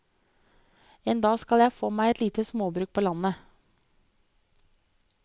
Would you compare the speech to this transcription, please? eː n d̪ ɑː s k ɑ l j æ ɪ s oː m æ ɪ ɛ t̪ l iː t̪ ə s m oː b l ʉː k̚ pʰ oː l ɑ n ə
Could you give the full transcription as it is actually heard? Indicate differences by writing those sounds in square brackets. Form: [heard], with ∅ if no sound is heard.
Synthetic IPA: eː n d̪ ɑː s k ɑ l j æ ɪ [f] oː m æ ɪ ɛ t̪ l iː t̪ ə s m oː b [ɾ] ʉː k̚ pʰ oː l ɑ n ə